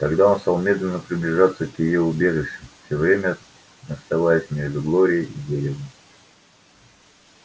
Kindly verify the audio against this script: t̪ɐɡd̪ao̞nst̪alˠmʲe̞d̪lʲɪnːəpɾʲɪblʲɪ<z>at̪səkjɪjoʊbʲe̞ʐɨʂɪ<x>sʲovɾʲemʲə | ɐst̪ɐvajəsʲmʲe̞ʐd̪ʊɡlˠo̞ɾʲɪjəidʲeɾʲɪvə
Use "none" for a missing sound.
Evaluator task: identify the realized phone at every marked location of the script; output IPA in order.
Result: ʐ, f

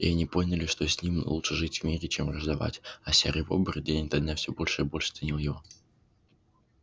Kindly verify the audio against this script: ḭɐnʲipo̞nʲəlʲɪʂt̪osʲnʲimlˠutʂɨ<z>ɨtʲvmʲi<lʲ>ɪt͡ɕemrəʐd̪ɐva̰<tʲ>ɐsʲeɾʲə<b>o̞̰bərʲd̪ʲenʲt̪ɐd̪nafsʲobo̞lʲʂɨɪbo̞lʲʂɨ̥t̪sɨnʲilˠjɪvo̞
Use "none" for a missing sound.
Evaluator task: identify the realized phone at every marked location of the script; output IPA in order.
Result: ʐ, ɾʲ, tʲ, v

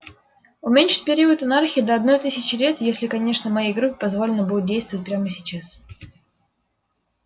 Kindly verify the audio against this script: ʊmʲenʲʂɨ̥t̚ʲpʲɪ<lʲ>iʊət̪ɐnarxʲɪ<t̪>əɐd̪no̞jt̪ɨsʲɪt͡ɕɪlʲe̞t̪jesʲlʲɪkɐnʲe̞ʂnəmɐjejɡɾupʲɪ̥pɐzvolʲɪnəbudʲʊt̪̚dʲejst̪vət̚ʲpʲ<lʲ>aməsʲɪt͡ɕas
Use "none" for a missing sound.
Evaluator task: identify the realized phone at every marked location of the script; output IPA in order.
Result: ɾʲ, d̪, ɾʲ

